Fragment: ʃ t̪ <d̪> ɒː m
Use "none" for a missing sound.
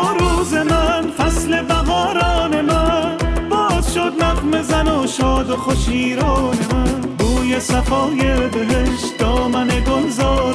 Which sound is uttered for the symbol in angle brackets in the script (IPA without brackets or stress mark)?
d̪